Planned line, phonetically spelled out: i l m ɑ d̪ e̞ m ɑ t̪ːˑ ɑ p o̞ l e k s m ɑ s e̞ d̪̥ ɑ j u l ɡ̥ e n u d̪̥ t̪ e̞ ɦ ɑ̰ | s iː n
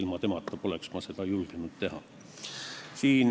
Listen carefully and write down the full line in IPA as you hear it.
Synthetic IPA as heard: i l m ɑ t̪ e̞ m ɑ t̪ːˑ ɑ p o̞ l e k s m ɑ s e̞ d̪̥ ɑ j u l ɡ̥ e n u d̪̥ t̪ e̞ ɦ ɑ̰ | s iː n